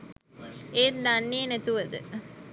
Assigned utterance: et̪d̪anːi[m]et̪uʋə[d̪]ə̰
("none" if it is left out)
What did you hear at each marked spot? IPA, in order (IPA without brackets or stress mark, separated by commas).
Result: n, d̪